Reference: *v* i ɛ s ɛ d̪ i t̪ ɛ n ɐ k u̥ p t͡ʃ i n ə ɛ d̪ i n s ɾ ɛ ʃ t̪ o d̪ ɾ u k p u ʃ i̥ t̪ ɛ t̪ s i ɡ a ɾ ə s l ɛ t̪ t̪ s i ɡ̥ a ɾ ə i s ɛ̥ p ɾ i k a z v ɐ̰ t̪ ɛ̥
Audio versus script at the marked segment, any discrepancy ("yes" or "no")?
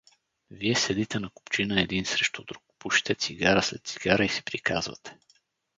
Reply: no